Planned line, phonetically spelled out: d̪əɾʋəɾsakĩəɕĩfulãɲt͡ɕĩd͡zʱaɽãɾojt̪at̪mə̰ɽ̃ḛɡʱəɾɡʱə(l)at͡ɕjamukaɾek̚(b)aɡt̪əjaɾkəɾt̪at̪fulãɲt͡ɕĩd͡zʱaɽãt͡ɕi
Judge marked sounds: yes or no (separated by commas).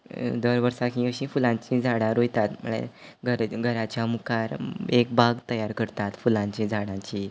no, yes